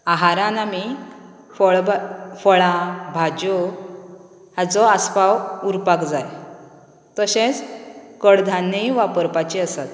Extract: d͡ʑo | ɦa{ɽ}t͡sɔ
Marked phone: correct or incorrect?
incorrect